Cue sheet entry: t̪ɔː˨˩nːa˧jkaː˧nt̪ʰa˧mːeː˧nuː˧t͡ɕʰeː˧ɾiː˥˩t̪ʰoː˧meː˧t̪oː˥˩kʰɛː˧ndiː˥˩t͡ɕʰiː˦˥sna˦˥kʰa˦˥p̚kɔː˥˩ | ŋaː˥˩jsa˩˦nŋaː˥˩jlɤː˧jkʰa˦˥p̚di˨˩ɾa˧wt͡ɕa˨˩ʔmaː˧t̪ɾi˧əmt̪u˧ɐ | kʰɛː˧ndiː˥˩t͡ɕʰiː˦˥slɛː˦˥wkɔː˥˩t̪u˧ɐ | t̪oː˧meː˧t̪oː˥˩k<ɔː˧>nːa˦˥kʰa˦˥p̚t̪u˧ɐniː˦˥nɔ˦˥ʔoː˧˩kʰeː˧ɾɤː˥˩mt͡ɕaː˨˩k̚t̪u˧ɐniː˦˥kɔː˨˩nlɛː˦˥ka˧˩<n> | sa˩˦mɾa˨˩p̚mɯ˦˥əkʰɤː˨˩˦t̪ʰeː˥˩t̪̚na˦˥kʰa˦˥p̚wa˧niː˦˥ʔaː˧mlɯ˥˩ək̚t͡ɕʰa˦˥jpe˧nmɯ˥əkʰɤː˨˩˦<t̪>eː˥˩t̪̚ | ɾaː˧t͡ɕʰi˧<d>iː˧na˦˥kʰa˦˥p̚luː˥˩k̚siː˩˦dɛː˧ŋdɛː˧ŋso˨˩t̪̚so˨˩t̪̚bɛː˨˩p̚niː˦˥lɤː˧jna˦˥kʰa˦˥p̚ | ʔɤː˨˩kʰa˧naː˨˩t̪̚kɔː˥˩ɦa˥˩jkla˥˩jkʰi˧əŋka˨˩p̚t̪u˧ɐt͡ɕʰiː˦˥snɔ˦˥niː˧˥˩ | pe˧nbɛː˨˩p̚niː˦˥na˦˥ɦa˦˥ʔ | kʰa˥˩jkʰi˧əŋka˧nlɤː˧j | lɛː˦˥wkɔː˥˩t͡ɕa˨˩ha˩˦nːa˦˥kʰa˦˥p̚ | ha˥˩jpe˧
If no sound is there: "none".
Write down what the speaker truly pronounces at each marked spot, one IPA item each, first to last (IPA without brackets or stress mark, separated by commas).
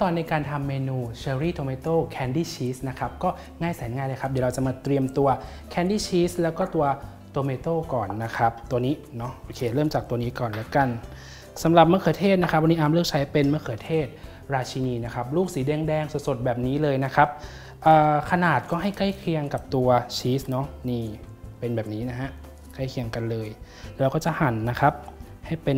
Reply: ɔː˨˩, n, t̪ʰ, n